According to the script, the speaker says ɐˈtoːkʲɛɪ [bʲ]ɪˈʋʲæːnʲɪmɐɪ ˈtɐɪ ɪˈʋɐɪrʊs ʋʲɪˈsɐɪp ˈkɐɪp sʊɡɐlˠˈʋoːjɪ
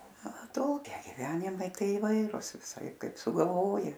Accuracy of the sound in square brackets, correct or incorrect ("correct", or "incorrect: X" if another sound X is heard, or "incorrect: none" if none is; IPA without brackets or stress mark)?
incorrect: ɡʲ